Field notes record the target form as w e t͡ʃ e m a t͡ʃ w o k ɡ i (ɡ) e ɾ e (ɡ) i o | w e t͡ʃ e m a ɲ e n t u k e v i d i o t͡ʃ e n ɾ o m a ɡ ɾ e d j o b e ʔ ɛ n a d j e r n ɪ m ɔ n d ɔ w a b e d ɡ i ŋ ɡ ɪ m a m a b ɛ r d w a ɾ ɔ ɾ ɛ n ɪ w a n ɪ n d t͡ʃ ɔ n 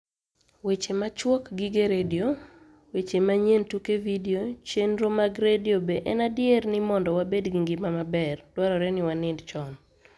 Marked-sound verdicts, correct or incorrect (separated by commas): correct, incorrect